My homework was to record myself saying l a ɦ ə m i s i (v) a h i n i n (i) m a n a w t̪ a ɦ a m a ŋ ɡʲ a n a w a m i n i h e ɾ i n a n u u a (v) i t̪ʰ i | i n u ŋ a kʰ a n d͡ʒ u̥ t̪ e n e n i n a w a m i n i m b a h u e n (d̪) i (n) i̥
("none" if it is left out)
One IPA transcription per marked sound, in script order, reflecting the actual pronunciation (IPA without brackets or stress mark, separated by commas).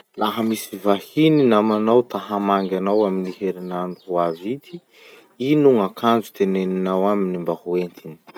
v, a, v, t̪, n